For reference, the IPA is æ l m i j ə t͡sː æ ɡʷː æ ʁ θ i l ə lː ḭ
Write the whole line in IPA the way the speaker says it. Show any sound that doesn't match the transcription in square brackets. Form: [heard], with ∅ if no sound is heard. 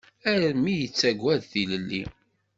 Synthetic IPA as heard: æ [ɾ] m i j ə t͡sː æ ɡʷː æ [ð] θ i l ə lː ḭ